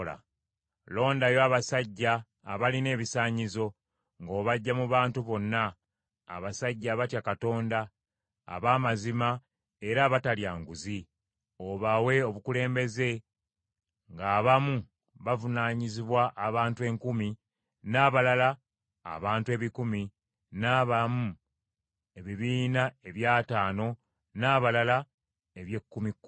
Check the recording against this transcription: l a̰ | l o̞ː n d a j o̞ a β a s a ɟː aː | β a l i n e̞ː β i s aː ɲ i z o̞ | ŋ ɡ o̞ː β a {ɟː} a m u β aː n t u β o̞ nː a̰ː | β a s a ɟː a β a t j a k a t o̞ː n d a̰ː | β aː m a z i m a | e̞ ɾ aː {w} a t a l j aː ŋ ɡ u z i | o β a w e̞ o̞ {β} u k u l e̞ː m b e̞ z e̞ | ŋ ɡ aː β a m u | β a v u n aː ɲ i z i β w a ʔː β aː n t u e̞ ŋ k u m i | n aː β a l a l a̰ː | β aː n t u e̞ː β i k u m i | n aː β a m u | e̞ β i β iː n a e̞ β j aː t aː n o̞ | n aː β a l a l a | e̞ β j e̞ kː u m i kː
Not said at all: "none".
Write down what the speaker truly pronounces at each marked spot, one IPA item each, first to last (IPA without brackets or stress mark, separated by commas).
ɟː, β, β